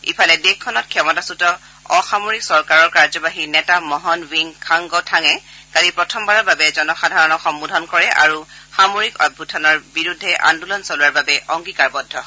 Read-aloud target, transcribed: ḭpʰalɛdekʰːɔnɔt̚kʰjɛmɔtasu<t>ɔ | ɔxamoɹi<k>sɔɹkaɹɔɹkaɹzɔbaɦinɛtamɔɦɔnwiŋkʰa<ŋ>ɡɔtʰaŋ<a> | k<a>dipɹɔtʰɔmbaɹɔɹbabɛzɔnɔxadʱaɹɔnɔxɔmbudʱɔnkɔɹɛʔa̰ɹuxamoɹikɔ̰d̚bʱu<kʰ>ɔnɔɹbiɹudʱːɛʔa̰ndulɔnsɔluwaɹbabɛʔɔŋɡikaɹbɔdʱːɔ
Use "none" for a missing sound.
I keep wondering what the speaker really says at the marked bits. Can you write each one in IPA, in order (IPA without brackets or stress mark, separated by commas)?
t, k, ŋ, ɛ, a, tʰ